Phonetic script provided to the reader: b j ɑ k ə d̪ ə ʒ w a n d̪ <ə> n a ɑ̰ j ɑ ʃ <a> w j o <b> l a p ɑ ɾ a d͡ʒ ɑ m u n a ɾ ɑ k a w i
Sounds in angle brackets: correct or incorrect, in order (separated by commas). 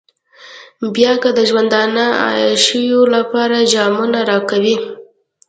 incorrect, incorrect, incorrect